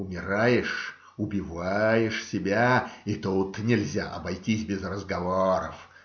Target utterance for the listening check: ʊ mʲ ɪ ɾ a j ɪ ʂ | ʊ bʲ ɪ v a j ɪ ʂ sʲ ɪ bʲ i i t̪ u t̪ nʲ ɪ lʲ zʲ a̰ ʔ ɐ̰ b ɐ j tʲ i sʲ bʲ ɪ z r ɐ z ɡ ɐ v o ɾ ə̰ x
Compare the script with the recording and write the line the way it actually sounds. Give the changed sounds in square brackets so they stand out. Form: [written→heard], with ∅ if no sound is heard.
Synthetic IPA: ʊ mʲ ɪ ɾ a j ɪ ʂ | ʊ bʲ ɪ v a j ɪ ʂ sʲ ɪ bʲ [i→a] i t̪ u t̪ nʲ ɪ lʲ zʲ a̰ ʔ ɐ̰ b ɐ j tʲ i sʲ bʲ ɪ z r [ɐ→ə] z ɡ ɐ v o ɾ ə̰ [x→f]